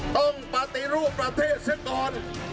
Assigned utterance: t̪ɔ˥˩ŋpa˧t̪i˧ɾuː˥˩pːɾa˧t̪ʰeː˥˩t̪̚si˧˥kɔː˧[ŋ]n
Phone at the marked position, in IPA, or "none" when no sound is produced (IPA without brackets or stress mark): none